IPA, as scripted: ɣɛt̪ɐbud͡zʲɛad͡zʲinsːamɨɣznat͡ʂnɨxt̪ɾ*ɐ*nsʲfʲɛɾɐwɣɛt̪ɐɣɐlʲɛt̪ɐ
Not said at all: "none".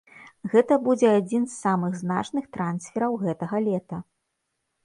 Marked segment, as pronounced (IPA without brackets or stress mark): a